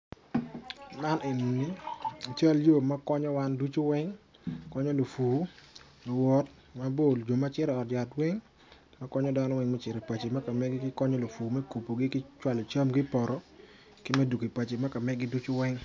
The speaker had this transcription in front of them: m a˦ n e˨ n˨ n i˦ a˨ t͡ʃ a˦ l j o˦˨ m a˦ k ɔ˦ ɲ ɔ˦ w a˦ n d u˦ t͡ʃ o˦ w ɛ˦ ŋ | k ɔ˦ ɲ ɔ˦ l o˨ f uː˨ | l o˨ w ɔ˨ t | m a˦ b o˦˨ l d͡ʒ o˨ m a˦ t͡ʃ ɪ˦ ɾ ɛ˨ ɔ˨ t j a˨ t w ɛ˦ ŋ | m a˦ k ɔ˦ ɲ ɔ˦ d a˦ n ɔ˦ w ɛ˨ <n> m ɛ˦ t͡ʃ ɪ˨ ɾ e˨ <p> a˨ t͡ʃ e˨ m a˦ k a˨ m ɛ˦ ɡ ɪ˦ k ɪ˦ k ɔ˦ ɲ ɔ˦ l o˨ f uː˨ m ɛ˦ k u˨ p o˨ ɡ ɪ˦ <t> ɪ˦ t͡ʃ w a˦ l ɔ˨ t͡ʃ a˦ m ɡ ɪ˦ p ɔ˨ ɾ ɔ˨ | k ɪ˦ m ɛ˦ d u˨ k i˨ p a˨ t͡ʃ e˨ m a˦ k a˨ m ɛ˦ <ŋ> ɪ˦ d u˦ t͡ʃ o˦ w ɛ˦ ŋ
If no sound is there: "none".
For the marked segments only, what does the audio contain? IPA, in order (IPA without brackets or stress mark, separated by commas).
ŋ, p, k, ɡ